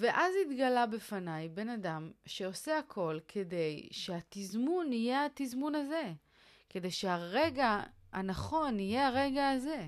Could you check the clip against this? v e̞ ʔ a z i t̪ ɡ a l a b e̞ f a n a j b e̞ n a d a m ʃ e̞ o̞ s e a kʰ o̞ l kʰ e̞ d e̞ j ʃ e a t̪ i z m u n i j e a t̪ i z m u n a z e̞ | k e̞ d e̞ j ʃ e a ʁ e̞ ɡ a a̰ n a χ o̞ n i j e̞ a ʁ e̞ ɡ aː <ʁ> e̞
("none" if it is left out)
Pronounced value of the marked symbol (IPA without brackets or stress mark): z